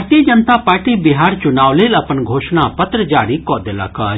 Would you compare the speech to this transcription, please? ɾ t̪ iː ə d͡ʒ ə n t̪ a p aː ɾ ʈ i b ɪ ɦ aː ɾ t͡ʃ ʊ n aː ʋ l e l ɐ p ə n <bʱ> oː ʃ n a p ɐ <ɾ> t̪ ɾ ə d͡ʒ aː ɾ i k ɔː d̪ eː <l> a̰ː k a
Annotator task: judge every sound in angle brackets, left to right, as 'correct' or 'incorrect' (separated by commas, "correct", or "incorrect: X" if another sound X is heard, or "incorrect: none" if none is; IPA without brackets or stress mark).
incorrect: ɡʱ, incorrect: none, correct